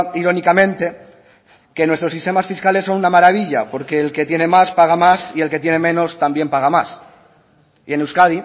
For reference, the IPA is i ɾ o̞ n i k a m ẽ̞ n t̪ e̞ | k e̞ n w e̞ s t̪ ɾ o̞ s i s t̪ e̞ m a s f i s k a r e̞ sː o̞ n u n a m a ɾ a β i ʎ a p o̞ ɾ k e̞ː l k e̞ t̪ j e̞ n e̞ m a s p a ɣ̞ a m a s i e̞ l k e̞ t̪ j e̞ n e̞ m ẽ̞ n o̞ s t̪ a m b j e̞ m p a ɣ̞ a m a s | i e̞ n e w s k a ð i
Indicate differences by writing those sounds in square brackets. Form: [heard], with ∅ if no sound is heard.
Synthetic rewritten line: i ɾ o̞ n i k a m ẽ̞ n t̪ e̞ | k e̞ n w e̞ s t̪ ɾ o̞ s i s t̪ e̞ m a s f i s k a [l] e̞ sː o̞ n u n a m a ɾ a β i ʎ a p o̞ ɾ k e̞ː l k e̞ t̪ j e̞ n e̞ m a s p a ɣ̞ a m a s i e̞ l k e̞ t̪ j e̞ n e̞ m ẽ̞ n o̞ s t̪ a m b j e̞ m p a ɣ̞ a m a s | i e̞ n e w s k a ð i

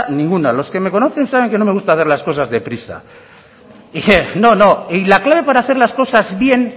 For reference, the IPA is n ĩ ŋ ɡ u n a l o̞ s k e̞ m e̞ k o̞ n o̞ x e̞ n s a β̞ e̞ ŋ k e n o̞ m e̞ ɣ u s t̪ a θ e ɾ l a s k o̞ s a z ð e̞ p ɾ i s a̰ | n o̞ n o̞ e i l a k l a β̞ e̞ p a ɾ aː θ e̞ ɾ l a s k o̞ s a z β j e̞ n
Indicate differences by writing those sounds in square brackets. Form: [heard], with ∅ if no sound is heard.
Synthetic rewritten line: n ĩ ŋ ɡ u n a l o̞ s k e̞ m e̞ k o̞ n o̞ [θ] e̞ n s a β̞ e̞ ŋ k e n o̞ m e̞ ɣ u s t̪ a θ e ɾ l a s k o̞ s a z ð e̞ p ɾ i s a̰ | n o̞ n o̞ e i l a k l a β̞ e̞ p a ɾ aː θ e̞ ɾ l a s k o̞ s a z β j e̞ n

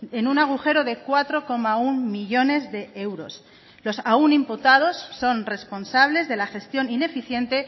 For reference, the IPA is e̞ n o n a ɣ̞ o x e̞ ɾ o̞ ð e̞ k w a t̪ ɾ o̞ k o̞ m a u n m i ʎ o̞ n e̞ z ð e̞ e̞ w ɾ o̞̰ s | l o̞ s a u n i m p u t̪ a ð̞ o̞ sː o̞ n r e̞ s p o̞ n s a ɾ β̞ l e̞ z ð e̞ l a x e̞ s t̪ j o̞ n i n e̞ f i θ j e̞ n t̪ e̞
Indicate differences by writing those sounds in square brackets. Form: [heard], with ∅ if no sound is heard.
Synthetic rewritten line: e̞ n [u] n a ɣ̞ [u] x e̞ ɾ o̞ ð e̞ k w a t̪ ɾ o̞ k o̞ m a u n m i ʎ o̞ n e̞ z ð e̞ e̞ w ɾ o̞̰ s | l o̞ s a u n i m p u t̪ a ð̞ o̞ sː o̞ n r e̞ s p o̞ n s a [∅] β̞ l e̞ z ð e̞ l a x e̞ s t̪ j o̞ n i n e̞ f i θ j e̞ n t̪ e̞

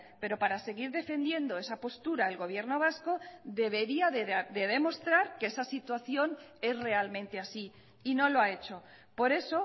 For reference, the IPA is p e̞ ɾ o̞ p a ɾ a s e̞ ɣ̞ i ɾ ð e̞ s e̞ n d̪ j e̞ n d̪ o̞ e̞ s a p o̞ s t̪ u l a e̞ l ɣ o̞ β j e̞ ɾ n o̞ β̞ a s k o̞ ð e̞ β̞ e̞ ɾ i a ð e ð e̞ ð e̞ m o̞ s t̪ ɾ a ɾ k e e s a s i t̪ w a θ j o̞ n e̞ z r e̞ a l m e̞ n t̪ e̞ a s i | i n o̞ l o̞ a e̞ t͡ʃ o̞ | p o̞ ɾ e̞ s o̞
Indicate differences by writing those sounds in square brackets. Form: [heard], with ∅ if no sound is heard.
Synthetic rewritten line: p e̞ ɾ o̞ p a ɾ a s e̞ ɣ̞ i ɾ ð e̞ [f] e̞ n d̪ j e̞ n d̪ o̞ e̞ s a p o̞ s t̪ u [ɾ] a e̞ l ɣ o̞ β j e̞ ɾ n o̞ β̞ a s k o̞ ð e̞ β̞ e̞ ɾ i a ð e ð e̞ ð e̞ m o̞ s t̪ ɾ a ɾ k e e s a s i t̪ w a θ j o̞ n e̞ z r e̞ a l m [ẽ̞] n t̪ e̞ a s i | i n o̞ l o̞ a e̞ t͡ʃ o̞ | p o̞ ɾ e̞ s o̞

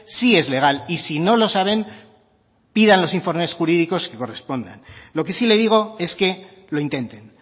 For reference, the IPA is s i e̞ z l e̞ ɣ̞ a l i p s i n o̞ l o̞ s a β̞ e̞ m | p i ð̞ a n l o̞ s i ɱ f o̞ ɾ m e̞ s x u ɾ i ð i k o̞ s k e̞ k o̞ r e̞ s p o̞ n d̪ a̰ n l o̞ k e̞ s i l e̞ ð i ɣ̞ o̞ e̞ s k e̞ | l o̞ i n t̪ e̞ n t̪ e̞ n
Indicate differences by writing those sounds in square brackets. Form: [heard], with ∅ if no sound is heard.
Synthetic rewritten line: s i e̞ z l e̞ ɣ̞ a l i [∅] s i n o̞ l o̞ s a β̞ e̞ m | p i ð̞ a n l o̞ s i ɱ f o̞ ɾ m e̞ s x u ɾ i ð i k o̞ s k e̞ k o̞ r e̞ s p o̞ n d̪ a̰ n l o̞ k e̞ s i l e̞ ð i ɣ̞ o̞ e̞ s k e̞ | l o̞ i n t̪ e̞ n t̪ e̞ n

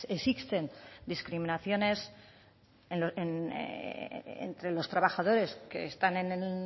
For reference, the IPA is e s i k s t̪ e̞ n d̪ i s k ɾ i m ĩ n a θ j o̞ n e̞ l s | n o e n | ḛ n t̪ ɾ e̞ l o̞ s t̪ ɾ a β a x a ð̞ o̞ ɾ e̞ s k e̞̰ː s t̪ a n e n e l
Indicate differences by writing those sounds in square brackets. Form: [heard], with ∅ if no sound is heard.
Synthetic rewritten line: e s i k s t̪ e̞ n d̪ i s k ɾ i m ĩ n a θ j o̞ n e̞ [∅] s | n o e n | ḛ n t̪ ɾ e̞ l o̞ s t̪ ɾ a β a x a ð̞ o̞ ɾ e̞ s k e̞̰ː s t̪ a n e n e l

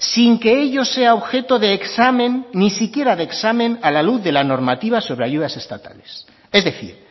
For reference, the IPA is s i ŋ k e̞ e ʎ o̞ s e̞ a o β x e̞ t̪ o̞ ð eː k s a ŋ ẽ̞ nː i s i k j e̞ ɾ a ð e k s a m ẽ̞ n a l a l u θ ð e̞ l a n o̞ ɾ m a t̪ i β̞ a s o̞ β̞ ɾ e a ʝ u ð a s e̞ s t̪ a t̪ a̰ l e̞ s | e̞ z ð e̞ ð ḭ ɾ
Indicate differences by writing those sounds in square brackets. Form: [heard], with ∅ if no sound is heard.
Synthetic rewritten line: s i ŋ k e̞ e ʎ o̞ s e̞ a o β x e̞ t̪ o̞ ð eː k s a [m] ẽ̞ nː i s i k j e̞ ɾ a ð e k s a m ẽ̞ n a l a l u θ ð e̞ l a n o̞ ɾ m a t̪ i β̞ a s o̞ β̞ ɾ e a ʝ u ð a s e̞ s t̪ a t̪ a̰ l e̞ s | e̞ z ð e̞ [θ] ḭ ɾ

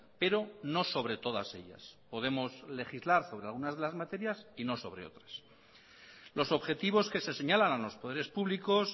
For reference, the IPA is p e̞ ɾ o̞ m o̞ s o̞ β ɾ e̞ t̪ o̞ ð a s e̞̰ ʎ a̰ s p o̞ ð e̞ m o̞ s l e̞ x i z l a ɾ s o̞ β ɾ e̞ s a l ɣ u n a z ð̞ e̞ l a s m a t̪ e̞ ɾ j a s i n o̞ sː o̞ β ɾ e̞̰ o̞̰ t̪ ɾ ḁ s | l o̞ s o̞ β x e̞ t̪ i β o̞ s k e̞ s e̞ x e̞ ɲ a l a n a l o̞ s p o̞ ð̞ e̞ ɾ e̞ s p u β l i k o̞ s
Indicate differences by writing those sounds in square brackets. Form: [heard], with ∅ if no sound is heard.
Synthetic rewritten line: p e̞ ɾ o̞ [n] o̞ s o̞ β ɾ e̞ t̪ o̞ ð a s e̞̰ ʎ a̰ s p o̞ ð e̞ m o̞ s l e̞ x i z l a ɾ s o̞ β ɾ e̞ [∅] a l ɣ u n a z ð̞ e̞ l a [z] m a t̪ e̞ ɾ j a s i n o̞ [s] o̞ β ɾ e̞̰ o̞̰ t̪ ɾ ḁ s | l o̞ s o̞ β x e̞ t̪ i β o̞ s k e̞ s e̞ [s] e̞ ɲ a l a n a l o̞ s p o̞ ð̞ e̞ ɾ e̞ s p u β l i k o̞ s

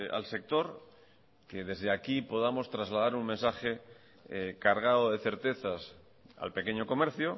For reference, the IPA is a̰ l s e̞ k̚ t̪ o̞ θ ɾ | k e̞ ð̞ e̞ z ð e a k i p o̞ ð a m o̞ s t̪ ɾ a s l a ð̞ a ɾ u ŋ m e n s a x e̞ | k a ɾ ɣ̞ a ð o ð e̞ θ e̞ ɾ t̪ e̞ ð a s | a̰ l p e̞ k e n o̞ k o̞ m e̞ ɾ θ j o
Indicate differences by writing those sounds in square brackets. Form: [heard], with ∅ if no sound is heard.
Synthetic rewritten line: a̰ l s e̞ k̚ t̪ o̞ [∅] ɾ | k e̞ ð̞ e̞ z ð e a k i p o̞ ð a m o̞ s t̪ ɾ a [z] l a ð̞ a ɾ u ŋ m e n s a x e̞ | k a ɾ ɣ̞ a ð o ð e̞ θ e̞ ɾ t̪ e̞ [θ] a s | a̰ l p e̞ k e [ɲ] o̞ k o̞ m e̞ ɾ θ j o

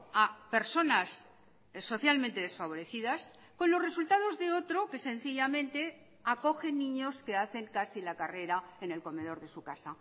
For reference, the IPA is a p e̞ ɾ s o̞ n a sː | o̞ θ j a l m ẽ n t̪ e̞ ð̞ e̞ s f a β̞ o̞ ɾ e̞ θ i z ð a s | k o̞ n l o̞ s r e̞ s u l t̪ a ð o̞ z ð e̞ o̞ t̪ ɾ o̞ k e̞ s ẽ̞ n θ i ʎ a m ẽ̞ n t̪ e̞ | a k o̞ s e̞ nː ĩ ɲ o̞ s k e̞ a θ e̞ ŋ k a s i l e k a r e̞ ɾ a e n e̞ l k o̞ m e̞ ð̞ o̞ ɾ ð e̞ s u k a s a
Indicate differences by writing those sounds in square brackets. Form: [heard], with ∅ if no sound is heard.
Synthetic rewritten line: a p e̞ ɾ s o̞ n a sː | o̞ θ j a l m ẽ n t̪ e̞ ð̞ e̞ s f a β̞ o̞ ɾ e̞ θ i [∅] ð a s | k o̞ n l o̞ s r e̞ s u l t̪ a ð o̞ z ð e̞ o̞ t̪ ɾ o̞ k e̞ s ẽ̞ n θ i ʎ a m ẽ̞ n t̪ e̞ | a k o̞ [x] e̞ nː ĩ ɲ o̞ s k e̞ a θ e̞ ŋ k a s i l [a] k a r e̞ ɾ a e n e̞ l k o̞ m e̞ ð̞ o̞ ɾ ð e̞ s u k a s a

